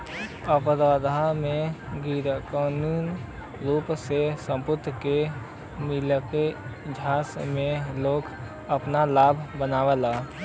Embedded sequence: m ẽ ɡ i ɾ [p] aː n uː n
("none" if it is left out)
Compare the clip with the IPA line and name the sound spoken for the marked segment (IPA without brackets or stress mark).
k